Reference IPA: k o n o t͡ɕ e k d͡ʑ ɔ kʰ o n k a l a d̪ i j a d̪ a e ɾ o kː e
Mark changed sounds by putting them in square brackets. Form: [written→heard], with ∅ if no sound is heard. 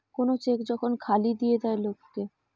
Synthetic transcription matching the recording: k o n o t͡ɕ e k d͡ʑ ɔ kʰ o n [k→kʰ] a l [a→i] d̪ i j [a→e] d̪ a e [ɾ→l] o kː e